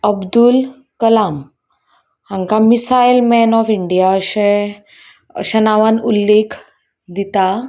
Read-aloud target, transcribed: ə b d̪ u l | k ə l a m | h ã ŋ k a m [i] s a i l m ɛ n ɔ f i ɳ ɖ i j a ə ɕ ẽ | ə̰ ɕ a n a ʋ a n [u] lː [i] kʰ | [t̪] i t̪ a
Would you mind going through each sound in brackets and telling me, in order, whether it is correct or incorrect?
correct, correct, incorrect, incorrect

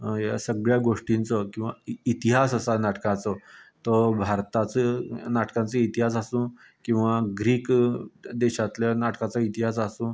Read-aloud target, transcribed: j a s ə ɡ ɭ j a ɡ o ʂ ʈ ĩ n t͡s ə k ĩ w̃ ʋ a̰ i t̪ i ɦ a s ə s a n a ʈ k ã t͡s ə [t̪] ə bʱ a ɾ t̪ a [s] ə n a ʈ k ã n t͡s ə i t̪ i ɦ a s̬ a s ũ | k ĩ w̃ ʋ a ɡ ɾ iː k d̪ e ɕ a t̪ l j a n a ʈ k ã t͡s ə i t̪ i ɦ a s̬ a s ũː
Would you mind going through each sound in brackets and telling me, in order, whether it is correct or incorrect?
correct, incorrect

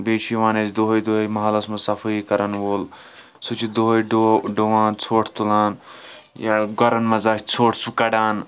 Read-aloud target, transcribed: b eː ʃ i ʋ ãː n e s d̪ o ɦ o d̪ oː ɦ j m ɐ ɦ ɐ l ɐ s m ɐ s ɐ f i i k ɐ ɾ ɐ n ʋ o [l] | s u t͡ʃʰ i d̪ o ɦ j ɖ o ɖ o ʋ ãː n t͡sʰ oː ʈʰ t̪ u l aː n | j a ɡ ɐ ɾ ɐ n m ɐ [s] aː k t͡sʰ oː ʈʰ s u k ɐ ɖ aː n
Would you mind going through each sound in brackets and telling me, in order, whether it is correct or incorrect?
correct, incorrect

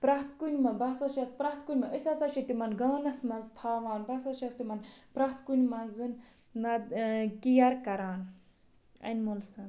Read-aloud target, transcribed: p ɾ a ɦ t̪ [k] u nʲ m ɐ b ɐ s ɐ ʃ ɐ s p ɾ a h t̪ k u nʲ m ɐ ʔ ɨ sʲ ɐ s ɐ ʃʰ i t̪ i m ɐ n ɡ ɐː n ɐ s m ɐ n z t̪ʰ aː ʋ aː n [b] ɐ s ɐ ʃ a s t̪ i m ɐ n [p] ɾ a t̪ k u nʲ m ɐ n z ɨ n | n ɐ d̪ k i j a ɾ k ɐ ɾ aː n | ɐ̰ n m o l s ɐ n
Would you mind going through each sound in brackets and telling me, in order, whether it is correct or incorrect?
correct, correct, correct

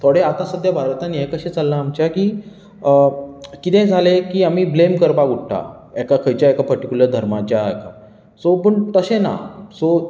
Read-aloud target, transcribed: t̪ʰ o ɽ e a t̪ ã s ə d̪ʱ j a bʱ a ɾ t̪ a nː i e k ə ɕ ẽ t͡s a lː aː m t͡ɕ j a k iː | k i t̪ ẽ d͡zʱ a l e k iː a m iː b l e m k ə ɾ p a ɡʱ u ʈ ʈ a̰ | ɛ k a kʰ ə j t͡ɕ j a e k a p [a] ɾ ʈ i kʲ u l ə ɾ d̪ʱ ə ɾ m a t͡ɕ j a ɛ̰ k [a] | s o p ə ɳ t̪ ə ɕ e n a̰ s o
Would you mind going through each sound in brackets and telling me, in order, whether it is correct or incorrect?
incorrect, correct

